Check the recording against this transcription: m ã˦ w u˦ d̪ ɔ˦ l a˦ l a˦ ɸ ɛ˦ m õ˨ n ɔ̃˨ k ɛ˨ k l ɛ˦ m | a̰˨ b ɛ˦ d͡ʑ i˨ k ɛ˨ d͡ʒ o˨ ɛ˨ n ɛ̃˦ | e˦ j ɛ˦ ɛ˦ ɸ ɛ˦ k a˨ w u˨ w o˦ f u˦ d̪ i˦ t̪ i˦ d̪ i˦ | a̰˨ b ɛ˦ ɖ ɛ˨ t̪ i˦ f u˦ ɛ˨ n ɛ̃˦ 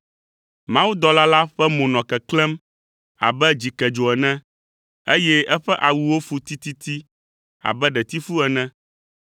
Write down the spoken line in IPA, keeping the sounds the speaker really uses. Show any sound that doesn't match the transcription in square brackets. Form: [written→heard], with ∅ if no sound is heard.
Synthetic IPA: m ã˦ w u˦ d̪ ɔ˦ l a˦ l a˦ ɸ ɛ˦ m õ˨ n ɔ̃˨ k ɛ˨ k l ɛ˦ m | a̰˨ b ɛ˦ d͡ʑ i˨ k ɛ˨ d͡ʒ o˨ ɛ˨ n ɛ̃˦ | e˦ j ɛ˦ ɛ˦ ɸ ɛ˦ [k→ʔ] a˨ w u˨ w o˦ f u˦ [d̪→t̪] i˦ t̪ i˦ [d̪→t̪] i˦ | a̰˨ b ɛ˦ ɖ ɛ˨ t̪ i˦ f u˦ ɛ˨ n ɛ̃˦